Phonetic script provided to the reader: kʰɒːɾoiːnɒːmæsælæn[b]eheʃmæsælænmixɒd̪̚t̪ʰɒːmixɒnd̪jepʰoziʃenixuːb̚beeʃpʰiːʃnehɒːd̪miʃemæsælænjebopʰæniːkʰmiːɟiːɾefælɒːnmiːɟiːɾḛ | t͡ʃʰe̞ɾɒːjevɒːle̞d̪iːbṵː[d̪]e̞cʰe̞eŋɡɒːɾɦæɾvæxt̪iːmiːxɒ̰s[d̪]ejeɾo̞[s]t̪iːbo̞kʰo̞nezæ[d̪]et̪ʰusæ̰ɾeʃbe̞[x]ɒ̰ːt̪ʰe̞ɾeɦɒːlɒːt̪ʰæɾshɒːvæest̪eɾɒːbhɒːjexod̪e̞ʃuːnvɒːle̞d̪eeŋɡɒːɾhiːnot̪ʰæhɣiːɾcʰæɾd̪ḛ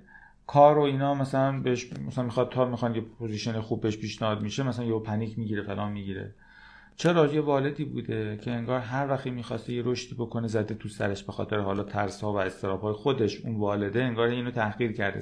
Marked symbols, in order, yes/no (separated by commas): yes, yes, no, no, yes, yes